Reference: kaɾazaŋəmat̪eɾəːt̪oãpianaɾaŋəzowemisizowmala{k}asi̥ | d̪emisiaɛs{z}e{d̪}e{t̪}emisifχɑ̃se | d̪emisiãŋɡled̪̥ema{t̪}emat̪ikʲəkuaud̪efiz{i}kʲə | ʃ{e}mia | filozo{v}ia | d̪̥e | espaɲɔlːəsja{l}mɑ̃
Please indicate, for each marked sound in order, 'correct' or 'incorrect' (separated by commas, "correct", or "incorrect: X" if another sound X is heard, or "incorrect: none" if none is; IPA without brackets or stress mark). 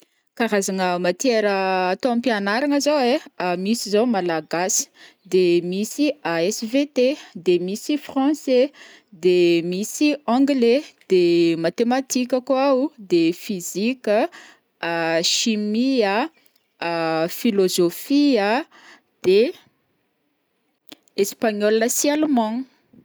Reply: incorrect: ɡ, incorrect: v, incorrect: t̪, incorrect: d̪, correct, correct, incorrect: i, incorrect: f, correct